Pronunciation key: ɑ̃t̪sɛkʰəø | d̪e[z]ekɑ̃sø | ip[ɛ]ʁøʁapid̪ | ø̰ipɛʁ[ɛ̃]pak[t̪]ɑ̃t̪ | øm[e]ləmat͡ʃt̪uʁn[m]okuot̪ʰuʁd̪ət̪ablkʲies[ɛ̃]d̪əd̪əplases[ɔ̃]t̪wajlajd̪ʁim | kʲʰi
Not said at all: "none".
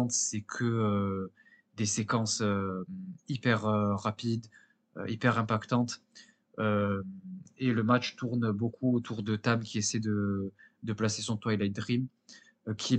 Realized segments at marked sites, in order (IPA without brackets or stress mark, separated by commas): s, ɛ, ɛ̃, t̪, e, b, ɛ, ɔ̃